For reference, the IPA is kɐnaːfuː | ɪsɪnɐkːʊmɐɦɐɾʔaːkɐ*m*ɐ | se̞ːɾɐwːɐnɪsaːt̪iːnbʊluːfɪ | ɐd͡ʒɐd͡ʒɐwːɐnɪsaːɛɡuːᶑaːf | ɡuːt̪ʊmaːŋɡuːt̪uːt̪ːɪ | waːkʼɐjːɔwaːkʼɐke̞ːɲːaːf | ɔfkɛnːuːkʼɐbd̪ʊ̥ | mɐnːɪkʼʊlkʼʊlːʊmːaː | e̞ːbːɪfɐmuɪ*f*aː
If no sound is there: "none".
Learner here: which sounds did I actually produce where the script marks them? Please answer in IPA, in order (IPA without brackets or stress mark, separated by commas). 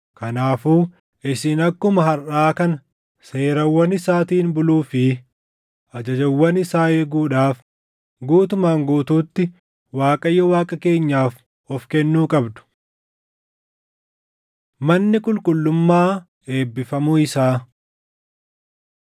n, s